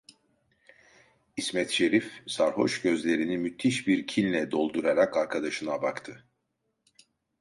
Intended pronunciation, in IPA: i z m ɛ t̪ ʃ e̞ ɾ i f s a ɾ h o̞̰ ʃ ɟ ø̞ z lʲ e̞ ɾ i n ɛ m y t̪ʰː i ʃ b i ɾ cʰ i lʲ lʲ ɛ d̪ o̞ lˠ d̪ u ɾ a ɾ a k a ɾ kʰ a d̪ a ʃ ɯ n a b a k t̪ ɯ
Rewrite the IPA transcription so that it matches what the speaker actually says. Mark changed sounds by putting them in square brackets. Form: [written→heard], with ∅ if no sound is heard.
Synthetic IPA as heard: i [z→s] m ɛ t̪ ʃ e̞ ɾ i f s a ɾ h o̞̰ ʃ ɟ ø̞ z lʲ e̞ ɾ i n [ɛ→i] m y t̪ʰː i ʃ b i ɾ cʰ i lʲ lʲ ɛ d̪ o̞ lˠ d̪ u ɾ a ɾ a k a ɾ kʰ a d̪ a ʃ ɯ n a b a k [t̪→t̪ʰ] ɯ